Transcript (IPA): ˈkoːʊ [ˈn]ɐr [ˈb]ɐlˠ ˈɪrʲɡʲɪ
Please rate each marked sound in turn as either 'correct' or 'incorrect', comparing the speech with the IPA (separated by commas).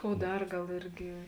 incorrect, incorrect